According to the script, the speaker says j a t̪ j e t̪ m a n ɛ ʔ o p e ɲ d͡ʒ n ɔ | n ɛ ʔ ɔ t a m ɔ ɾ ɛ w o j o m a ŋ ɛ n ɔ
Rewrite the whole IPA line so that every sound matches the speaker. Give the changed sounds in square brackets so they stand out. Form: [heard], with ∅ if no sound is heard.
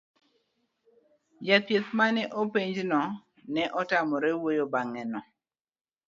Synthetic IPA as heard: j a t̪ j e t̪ m a n ɛ ʔ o p e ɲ d͡ʒ n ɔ | n ɛ ʔ ɔ t a m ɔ ɾ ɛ w o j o [b] a ŋ ɛ n ɔ